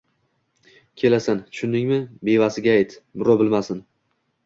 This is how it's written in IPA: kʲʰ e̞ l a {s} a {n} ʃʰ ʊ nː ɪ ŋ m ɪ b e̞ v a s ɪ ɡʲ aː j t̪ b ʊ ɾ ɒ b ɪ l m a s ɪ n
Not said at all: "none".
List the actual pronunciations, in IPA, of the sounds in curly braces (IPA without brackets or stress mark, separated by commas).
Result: s, n